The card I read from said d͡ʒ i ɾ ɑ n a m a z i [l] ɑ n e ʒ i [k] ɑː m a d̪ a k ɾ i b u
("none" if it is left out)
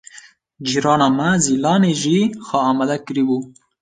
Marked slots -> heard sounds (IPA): l, x

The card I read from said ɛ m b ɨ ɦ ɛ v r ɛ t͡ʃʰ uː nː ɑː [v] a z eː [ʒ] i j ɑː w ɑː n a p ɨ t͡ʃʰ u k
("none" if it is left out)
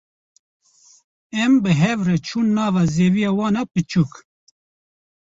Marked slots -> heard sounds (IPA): v, v

